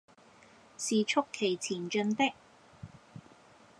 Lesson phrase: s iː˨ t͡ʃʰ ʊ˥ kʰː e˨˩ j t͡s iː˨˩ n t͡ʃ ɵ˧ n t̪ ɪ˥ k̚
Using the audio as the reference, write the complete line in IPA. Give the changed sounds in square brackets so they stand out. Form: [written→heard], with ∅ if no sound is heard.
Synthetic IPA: s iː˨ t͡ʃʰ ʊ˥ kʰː e˨˩ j [t͡s→t͡sʰ] iː˨˩ n t͡ʃ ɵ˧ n t̪ ɪ˥ k̚

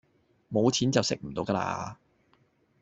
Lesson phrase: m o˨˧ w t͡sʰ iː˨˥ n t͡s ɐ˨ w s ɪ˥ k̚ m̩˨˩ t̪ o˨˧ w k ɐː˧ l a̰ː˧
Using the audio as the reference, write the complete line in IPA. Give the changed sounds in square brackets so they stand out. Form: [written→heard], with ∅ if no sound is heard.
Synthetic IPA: m o˨˧ w t͡sʰ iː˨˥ n t͡s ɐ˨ w s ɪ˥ k̚ m̩˨˩ t̪ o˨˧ w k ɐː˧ l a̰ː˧

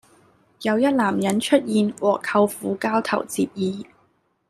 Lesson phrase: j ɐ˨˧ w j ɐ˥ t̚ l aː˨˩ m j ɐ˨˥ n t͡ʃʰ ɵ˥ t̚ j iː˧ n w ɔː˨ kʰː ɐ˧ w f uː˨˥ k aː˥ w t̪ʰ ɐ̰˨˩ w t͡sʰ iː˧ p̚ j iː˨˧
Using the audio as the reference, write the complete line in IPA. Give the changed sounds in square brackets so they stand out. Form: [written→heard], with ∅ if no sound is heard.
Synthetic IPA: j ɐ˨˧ w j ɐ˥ t̚ l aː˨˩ m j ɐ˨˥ n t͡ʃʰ ɵ˥ t̚ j iː˧ n w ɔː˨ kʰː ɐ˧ w f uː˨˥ k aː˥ w t̪ʰ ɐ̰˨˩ w [t͡sʰ→t͡s] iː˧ p̚ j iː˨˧

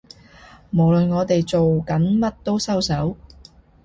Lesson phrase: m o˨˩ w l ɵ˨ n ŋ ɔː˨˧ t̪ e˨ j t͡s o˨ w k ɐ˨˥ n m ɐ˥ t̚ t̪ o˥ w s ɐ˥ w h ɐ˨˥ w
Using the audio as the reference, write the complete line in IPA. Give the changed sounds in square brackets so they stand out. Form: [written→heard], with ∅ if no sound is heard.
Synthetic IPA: m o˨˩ w l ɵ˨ n ŋ ɔː˨˧ t̪ e˨ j t͡s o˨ w k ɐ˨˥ n m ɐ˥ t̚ t̪ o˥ w s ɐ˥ w [h→s] ɐ˨˥ w

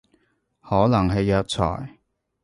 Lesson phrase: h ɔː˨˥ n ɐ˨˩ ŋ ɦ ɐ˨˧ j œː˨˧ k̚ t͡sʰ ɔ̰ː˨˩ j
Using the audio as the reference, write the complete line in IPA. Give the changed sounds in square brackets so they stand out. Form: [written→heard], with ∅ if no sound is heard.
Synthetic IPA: h ɔː˨˥ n ɐ˨˩ ŋ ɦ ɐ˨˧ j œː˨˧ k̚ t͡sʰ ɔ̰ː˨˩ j

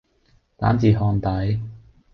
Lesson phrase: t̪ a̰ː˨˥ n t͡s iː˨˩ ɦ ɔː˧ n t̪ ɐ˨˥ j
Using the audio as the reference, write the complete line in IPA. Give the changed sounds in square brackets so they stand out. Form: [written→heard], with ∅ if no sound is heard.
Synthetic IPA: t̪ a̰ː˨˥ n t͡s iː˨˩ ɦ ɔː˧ n t̪ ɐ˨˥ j

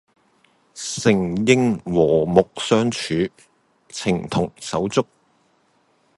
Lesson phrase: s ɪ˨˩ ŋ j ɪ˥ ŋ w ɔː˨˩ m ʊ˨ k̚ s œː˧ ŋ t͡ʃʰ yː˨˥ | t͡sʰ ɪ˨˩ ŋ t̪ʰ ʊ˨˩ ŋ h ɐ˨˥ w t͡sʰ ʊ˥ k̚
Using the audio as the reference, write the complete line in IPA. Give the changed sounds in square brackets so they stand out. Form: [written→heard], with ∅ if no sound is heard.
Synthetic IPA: s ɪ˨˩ ŋ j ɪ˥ ŋ w ɔː˨˩ m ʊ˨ k̚ s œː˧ ŋ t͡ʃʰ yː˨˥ | t͡sʰ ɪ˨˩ ŋ t̪ʰ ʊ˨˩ ŋ [h→s] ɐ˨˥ w [t͡sʰ→t͡s] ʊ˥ k̚

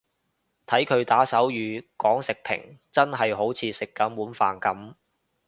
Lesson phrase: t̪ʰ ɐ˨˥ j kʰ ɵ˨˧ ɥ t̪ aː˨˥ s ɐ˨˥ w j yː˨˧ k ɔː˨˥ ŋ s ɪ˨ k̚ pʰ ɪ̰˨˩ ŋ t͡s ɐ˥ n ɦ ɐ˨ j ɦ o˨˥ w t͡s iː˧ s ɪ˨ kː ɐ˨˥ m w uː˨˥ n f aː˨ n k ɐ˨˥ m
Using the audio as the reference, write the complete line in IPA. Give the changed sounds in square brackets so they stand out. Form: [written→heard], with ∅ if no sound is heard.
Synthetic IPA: t̪ʰ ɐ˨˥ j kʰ ɵ˨˧ ɥ t̪ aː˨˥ s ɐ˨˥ w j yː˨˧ k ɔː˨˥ ŋ s ɪ˨ k̚ pʰ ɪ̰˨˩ ŋ t͡s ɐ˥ n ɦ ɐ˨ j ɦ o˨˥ w [t͡s→t͡sʰ] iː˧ s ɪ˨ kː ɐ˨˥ m w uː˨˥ n f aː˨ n k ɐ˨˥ m

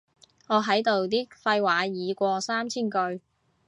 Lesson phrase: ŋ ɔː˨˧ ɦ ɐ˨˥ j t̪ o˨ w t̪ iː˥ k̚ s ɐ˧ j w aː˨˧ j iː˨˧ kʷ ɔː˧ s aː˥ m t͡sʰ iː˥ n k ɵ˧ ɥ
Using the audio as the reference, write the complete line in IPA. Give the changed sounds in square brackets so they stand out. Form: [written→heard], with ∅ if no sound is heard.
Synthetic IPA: ŋ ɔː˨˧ ɦ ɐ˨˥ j t̪ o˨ w t̪ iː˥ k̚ [s→f] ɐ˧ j w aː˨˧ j iː˨˧ kʷ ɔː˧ s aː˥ m t͡sʰ iː˥ n k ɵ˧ ɥ

